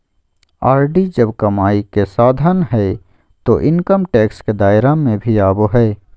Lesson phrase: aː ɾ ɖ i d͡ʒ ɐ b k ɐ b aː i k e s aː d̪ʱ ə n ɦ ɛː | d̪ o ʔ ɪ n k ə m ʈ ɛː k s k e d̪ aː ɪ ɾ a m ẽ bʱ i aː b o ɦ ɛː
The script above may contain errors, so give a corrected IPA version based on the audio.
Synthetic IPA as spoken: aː ɾ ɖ i d͡ʒ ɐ b k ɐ m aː i k e s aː d̪ʱ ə n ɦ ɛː | t̪ o ʔ ɪ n k ə m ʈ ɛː k s k e d̪ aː ɪ ɾ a m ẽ bʱ i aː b o ɦ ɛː